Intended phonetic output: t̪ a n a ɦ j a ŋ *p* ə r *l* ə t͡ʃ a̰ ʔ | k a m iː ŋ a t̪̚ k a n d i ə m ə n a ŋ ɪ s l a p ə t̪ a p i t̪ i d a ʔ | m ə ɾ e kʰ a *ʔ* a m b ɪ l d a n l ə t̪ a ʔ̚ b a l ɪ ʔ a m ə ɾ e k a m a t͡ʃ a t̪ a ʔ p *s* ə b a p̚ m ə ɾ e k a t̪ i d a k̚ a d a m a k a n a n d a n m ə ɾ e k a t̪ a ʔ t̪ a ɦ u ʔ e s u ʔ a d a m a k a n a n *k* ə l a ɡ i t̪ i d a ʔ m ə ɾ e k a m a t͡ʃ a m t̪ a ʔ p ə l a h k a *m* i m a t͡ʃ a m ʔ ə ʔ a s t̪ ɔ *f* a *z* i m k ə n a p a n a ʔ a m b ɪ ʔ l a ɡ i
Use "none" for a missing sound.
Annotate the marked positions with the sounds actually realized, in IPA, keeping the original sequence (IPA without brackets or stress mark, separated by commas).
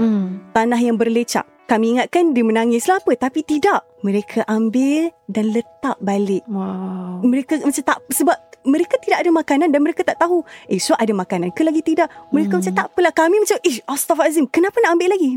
b, l, ʔ, s, k, m, f, z